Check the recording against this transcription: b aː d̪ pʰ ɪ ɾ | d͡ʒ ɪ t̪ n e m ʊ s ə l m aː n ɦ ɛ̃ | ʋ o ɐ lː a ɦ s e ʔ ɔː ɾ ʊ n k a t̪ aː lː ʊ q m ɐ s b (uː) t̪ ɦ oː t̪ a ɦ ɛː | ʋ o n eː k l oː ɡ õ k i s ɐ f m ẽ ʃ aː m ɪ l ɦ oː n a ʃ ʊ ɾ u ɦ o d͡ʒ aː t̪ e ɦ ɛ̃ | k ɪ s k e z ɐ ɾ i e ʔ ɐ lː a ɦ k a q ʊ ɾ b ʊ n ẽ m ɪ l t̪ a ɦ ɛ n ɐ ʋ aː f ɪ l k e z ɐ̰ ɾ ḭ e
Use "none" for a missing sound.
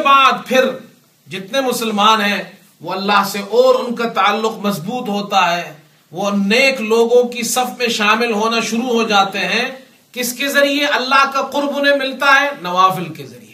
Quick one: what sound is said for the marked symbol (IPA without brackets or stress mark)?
uː